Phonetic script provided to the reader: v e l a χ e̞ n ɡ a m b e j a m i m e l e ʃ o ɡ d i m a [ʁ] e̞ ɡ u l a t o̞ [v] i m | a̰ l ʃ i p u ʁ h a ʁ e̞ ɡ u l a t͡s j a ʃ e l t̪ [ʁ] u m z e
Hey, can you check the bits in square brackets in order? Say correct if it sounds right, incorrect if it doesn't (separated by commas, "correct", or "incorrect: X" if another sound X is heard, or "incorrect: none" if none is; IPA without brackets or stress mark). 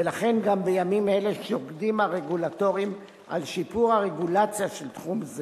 correct, incorrect: ʁ, incorrect: χ